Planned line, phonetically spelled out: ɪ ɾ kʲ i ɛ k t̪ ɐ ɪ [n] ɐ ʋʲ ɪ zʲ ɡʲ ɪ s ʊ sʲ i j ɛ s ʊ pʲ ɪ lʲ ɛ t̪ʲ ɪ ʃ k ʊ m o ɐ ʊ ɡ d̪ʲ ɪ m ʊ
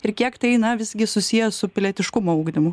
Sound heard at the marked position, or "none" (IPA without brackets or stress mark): n